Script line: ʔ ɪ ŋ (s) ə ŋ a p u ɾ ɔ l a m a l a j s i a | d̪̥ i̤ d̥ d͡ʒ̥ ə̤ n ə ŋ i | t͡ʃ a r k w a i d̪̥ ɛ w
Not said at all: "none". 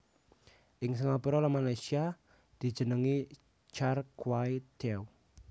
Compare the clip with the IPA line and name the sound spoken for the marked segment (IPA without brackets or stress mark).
s